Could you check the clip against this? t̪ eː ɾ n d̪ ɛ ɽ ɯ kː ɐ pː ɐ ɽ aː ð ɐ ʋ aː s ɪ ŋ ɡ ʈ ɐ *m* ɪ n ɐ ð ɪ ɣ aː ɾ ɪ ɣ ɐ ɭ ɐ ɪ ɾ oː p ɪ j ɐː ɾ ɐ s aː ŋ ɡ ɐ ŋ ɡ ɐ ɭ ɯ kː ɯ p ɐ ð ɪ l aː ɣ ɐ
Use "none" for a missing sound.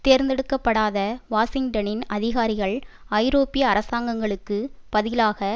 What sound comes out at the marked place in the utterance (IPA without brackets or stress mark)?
n